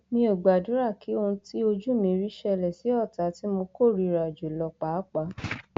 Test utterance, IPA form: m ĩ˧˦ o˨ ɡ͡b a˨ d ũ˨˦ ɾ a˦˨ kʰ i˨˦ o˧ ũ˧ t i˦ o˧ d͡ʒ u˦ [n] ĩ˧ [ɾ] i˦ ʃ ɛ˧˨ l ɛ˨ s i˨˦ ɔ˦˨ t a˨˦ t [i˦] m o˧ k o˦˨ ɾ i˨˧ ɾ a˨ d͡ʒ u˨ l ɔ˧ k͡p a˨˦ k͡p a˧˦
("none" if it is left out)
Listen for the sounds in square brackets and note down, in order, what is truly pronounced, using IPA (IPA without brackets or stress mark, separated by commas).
m, ɾ, i˦